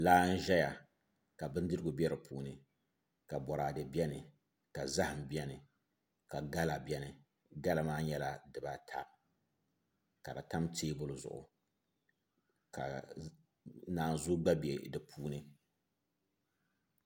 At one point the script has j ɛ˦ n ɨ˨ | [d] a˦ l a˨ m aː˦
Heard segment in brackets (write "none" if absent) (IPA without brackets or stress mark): ɡ